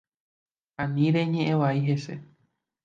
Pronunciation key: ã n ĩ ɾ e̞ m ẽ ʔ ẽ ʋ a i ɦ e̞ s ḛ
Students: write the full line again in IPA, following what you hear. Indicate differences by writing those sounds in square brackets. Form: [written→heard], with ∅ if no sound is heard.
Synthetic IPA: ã n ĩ ɾ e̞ [m→ɲ] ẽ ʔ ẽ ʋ a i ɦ e̞ s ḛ

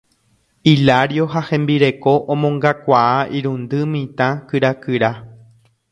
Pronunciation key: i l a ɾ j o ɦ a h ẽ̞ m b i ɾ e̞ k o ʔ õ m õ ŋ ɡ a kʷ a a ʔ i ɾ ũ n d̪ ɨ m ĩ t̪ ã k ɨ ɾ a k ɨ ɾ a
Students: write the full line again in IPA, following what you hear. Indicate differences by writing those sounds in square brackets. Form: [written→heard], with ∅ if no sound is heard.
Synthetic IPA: i l a ɾ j o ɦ a h ẽ̞ m b i ɾ e̞ k o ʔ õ m õ ŋ ɡ a kʷ a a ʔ i ɾ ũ n d̪ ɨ m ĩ t̪ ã k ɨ ɾ a k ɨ ɾ a

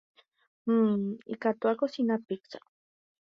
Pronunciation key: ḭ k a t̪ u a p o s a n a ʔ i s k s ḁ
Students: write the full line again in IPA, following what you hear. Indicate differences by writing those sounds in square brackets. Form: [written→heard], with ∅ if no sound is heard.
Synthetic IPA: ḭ k a t̪ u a [p→k] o s [a→i] n a [ʔ→p] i [s→∅] k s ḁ

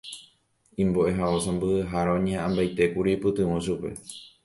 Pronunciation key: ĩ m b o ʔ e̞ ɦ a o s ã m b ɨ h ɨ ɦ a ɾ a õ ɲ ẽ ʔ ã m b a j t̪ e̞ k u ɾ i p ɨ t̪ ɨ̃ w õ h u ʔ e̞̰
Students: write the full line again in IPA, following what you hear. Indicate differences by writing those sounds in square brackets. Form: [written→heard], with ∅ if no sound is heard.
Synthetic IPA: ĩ m b o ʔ e̞ ɦ a o s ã m b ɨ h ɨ ɦ a ɾ a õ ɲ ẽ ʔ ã m b a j t̪ e̞ k u ɾ i p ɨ t̪ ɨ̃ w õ [h→ʃ] u [ʔ→p] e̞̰

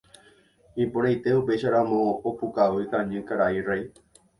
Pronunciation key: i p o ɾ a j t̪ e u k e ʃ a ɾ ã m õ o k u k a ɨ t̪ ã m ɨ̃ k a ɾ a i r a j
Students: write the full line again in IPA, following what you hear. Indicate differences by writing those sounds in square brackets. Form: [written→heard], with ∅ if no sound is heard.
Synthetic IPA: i p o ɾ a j t̪ e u [k→p] e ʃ a ɾ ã m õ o [k→p] u k a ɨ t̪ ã [m→ɲ] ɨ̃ k a ɾ a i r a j

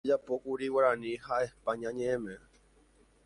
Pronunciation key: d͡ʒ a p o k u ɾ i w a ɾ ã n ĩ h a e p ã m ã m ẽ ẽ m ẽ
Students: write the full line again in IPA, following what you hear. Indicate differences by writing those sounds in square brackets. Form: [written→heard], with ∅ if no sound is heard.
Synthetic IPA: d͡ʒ a p o k u ɾ i w a ɾ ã n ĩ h a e p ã [m→ɲ] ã [m→ɲ] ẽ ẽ m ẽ

